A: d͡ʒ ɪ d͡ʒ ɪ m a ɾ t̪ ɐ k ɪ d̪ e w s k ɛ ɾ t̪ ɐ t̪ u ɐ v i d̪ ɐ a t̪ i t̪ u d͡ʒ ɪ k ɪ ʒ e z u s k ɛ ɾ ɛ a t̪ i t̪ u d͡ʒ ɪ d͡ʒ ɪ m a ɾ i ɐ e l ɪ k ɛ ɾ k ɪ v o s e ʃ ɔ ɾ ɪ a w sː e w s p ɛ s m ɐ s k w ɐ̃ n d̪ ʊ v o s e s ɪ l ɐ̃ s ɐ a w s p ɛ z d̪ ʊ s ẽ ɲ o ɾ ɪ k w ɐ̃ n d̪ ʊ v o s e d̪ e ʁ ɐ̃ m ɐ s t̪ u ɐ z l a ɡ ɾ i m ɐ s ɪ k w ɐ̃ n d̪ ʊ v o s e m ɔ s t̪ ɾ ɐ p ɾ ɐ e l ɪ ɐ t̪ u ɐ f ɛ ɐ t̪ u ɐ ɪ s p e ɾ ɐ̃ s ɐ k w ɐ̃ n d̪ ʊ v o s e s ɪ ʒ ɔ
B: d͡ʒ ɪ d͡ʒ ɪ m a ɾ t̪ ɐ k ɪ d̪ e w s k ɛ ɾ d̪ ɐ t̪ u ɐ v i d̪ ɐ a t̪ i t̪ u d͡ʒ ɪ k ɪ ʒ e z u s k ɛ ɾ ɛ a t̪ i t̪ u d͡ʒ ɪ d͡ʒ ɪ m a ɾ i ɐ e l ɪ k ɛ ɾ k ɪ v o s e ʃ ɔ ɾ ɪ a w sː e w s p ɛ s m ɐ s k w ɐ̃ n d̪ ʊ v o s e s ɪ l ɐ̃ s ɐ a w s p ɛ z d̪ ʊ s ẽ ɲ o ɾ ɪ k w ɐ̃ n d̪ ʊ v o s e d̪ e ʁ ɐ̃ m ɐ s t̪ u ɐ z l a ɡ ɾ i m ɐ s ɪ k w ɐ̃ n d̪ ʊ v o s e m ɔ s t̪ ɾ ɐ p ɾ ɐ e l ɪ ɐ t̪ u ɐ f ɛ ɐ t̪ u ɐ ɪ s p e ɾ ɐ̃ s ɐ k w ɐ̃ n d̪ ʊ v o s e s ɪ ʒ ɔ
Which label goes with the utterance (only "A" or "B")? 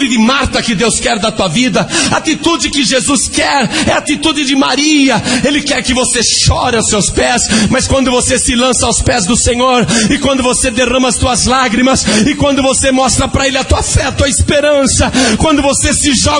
B